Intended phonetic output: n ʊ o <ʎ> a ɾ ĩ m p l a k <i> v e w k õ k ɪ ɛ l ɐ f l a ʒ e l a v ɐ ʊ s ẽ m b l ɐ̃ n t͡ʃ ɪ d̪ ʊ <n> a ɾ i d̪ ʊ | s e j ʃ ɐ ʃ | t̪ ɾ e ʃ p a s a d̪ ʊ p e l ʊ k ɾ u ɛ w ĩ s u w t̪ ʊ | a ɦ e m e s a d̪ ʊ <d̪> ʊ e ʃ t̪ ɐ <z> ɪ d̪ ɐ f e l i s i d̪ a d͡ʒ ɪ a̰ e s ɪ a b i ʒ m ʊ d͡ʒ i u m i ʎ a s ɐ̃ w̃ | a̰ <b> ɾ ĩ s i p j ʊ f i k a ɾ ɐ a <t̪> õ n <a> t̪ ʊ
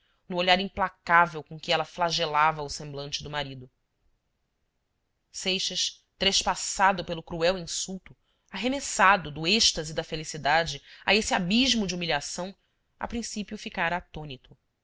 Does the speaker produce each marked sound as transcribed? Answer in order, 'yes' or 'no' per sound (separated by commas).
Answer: yes, no, no, yes, yes, no, yes, no